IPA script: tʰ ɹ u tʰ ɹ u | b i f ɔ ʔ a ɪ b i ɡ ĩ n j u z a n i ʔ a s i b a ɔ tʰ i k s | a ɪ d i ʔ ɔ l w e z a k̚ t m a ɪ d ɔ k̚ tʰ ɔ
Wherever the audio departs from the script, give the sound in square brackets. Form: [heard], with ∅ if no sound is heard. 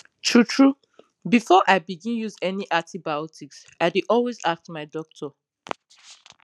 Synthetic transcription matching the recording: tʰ ɹ u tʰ ɹ u | b i f ɔ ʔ a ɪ b i ɡ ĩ n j u z [ɛ] n i ʔ a [t] i b a ɔ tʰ i k s | a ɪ d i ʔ ɔ l w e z a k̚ t m a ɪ d ɔ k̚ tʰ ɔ